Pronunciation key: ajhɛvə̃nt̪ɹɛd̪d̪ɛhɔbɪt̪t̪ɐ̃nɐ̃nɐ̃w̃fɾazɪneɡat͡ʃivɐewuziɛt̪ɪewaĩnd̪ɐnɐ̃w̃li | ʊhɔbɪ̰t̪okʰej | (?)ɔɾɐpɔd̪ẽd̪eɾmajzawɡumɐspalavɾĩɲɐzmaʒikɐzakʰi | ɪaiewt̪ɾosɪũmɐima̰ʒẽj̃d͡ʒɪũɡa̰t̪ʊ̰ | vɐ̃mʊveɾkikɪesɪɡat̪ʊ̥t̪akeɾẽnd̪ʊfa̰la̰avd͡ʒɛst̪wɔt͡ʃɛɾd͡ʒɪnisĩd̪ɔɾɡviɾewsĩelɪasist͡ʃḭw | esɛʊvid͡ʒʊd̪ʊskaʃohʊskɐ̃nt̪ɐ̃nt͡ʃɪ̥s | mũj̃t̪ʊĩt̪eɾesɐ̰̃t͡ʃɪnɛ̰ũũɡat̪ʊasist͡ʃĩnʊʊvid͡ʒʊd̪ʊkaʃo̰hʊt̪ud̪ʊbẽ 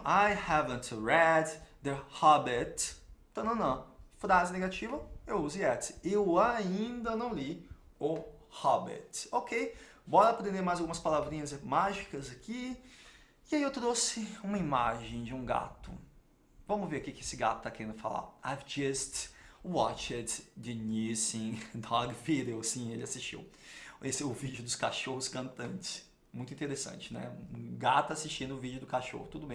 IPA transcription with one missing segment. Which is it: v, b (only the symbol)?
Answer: b